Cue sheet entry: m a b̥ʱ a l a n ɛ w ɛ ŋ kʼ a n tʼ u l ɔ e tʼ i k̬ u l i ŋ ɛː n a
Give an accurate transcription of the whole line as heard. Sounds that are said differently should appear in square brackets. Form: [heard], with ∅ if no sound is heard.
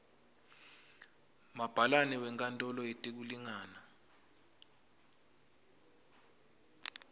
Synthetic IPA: m a b̥ʱ a l a n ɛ w ɛ ŋ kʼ a n tʼ [ɔ] l ɔ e tʼ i k̬ u l i ŋ [aː] n a